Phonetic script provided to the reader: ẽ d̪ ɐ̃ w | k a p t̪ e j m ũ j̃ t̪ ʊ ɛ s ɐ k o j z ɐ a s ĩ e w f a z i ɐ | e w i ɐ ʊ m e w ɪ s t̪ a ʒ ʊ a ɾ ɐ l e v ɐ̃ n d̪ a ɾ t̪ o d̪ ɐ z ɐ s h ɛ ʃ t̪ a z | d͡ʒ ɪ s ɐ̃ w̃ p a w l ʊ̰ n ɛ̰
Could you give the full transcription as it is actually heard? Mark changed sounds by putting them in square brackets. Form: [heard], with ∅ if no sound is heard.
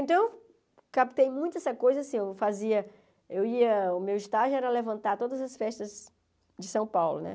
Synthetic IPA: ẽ [t̪] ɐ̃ w | k a p t̪ e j m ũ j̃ t̪ ʊ ɛ s ɐ k o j z ɐ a s ĩ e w f a z i ɐ | e w i ɐ ʊ m e w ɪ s t̪ a ʒ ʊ [ɛ] ɾ ɐ l e v ɐ̃ n [t̪] a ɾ t̪ o d̪ ɐ z ɐ s [f] ɛ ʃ t̪ [ɐ] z | d͡ʒ ɪ s ɐ̃ w̃ p a w l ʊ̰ n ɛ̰